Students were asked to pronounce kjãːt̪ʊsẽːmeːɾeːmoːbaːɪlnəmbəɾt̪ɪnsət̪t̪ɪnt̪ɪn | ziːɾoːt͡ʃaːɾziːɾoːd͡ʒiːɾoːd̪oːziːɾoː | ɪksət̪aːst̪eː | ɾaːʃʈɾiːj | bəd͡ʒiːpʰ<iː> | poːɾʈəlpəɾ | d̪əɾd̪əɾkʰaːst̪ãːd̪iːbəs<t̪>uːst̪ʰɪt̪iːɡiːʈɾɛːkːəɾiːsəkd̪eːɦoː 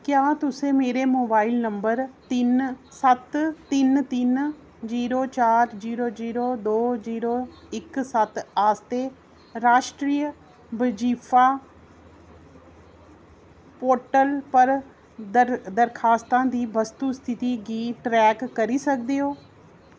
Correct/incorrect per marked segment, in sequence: incorrect: aː, correct

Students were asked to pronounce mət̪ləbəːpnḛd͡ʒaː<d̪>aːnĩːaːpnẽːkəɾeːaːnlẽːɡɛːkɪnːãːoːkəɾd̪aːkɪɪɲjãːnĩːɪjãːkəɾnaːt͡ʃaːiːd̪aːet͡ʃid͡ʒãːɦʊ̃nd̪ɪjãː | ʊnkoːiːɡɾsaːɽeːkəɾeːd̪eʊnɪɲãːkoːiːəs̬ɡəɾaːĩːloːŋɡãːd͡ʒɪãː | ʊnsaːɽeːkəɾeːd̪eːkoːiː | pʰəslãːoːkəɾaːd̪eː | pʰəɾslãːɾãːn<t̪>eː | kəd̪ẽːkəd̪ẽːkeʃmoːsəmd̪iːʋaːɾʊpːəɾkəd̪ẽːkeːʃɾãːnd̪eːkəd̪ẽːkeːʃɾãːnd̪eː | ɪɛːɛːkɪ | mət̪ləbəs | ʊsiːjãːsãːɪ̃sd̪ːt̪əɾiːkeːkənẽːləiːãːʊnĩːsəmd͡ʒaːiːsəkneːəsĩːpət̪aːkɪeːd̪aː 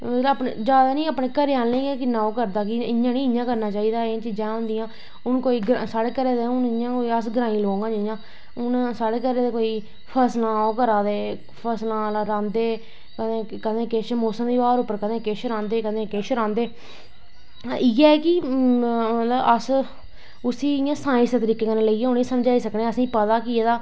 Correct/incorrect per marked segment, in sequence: correct, incorrect: d̪

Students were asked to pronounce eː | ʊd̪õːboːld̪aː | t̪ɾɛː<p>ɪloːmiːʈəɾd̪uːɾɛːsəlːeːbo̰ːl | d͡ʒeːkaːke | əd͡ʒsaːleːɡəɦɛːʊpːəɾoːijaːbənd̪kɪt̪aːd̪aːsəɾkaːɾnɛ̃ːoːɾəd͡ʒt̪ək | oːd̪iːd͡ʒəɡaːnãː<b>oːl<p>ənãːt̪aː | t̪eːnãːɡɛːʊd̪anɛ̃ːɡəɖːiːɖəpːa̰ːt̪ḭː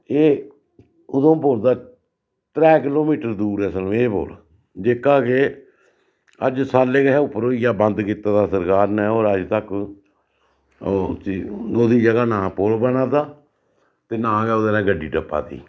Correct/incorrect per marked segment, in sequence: incorrect: k, incorrect: p, incorrect: b

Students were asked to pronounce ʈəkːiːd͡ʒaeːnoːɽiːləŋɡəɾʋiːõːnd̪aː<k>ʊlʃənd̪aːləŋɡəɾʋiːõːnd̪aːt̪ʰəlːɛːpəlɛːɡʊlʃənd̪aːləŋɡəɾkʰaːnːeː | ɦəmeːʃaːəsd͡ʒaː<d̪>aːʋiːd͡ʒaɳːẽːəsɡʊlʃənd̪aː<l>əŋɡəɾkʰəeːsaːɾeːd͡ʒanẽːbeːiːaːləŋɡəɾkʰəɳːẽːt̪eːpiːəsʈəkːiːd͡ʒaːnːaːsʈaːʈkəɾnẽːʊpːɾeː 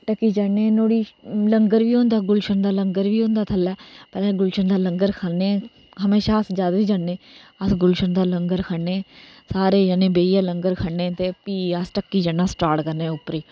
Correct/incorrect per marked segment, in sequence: incorrect: ɡ, correct, correct

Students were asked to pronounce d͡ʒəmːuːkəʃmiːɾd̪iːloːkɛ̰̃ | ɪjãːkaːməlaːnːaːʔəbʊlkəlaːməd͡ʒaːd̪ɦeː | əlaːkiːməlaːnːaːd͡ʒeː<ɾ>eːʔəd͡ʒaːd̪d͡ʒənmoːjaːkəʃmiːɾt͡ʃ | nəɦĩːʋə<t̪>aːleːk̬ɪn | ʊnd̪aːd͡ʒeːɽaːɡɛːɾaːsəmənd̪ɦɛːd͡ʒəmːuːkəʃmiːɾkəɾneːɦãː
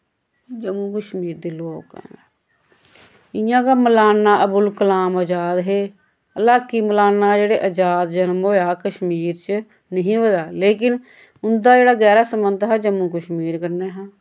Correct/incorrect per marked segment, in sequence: incorrect: ɽ, incorrect: d̪

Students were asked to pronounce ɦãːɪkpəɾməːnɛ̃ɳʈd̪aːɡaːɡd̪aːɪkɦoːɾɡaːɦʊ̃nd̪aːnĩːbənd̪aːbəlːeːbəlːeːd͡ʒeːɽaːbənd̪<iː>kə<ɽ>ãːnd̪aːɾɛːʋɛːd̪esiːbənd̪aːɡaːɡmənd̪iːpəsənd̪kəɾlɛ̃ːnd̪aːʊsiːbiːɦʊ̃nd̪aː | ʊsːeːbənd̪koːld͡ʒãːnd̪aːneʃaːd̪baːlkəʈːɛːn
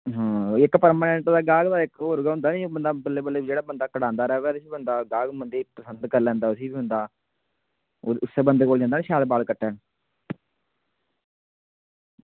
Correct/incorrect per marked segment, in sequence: incorrect: aː, correct

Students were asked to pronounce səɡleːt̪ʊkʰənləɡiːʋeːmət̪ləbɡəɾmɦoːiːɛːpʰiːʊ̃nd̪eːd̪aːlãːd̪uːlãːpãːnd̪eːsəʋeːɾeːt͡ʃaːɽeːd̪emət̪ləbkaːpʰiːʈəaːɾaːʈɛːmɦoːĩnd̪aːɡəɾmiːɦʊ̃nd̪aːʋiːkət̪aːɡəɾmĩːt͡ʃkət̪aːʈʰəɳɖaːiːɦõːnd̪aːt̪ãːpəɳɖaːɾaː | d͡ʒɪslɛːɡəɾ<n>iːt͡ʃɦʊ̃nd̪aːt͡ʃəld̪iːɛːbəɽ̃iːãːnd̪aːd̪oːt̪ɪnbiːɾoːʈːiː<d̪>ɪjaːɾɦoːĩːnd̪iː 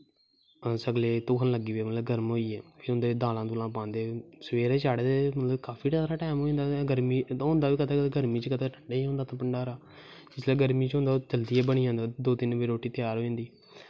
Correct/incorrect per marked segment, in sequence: incorrect: m, incorrect: t̪

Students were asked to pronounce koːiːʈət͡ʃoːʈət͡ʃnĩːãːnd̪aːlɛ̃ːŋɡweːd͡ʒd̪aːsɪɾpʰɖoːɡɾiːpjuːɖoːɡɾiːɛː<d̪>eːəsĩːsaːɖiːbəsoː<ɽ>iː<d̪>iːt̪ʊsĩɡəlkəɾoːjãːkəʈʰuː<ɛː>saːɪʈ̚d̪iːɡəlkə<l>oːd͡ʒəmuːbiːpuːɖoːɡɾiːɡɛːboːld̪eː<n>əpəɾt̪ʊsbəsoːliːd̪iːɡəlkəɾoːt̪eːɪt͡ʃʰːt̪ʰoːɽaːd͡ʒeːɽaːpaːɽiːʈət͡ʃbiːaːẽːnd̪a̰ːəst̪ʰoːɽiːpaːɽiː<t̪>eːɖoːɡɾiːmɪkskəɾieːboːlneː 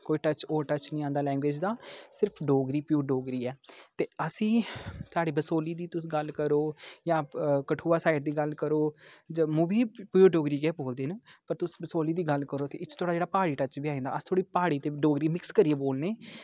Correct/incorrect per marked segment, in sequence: incorrect: t̪, incorrect: l, correct, incorrect: aː, incorrect: ɾ, correct, correct

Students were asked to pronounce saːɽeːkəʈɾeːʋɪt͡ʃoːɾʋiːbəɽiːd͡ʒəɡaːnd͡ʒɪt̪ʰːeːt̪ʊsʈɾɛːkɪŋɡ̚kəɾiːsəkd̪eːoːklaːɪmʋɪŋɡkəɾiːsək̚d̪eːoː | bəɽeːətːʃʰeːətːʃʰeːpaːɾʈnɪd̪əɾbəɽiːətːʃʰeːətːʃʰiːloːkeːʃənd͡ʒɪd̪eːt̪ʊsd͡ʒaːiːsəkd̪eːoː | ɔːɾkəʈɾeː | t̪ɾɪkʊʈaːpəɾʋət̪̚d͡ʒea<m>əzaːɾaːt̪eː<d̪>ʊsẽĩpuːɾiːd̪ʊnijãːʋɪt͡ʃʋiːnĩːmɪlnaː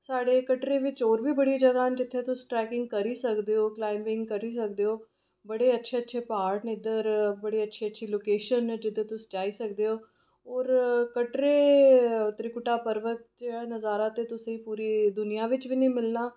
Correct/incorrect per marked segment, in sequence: incorrect: n, incorrect: t̪

